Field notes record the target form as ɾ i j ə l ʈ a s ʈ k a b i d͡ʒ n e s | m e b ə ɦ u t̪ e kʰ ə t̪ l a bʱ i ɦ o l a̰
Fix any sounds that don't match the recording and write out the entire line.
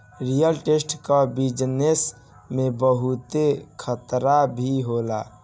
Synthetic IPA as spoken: ɾ i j ə l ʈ e s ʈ k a b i d͡ʒ n e s | m e b ə ɦ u t̪ e kʰ ə t̪ ɾ a bʱ i ɦ o l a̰